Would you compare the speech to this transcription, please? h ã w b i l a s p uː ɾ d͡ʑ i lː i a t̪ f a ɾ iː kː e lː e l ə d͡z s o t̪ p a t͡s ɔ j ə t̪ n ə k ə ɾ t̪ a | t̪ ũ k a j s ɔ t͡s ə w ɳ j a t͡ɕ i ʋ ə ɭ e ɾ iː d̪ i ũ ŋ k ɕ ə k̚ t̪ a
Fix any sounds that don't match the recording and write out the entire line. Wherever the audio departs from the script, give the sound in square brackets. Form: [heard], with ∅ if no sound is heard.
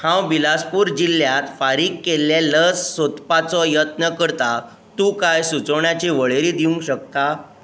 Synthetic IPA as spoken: h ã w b i l a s p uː ɾ d͡ʑ i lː [j] a t̪ f a ɾ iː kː e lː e l ə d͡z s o t̪ p a t͡s ɔ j ə t̪ n ə k ə ɾ t̪ a | t̪ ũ k a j s [u] t͡s ə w ɳ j a t͡ɕ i ʋ ə ɭ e ɾ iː d̪ i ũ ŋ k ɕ ə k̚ t̪ a